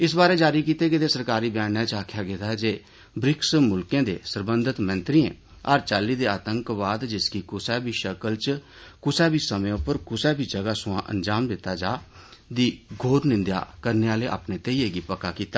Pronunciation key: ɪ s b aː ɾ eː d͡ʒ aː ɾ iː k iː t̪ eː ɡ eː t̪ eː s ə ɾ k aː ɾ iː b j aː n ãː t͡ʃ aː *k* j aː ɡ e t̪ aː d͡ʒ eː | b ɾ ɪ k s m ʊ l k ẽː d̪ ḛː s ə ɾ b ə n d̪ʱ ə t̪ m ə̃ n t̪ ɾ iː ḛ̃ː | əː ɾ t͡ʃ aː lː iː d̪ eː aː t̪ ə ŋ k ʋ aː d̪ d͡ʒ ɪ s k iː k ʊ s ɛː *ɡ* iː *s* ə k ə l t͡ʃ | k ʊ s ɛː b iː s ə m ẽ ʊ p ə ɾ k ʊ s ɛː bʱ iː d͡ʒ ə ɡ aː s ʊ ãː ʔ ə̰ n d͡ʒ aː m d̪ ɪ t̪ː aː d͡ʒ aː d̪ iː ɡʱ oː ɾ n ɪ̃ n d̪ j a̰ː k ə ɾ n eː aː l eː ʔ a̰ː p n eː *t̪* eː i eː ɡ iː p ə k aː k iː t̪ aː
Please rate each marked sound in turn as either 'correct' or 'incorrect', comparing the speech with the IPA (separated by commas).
incorrect, incorrect, incorrect, correct